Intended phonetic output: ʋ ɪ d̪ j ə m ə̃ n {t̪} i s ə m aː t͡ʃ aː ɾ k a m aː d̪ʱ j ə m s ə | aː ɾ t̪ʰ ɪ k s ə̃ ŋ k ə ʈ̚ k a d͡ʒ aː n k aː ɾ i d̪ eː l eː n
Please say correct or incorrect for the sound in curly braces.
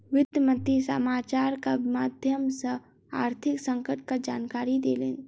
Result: correct